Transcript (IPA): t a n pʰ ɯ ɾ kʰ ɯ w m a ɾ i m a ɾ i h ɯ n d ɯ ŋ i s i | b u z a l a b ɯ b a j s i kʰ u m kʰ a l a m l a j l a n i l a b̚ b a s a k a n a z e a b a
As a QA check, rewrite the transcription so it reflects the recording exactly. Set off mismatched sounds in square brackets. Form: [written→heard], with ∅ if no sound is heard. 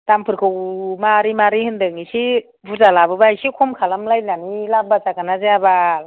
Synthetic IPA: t a [n→m] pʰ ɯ ɾ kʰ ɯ w m a ɾ i m a ɾ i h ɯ n d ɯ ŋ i s i | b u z a l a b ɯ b a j s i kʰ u m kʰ a l a m l a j l a n i l a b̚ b a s a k a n a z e a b a